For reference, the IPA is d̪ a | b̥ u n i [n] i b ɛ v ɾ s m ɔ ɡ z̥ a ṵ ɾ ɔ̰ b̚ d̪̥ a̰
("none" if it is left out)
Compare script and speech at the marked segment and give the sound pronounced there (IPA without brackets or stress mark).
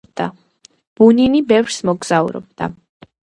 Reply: n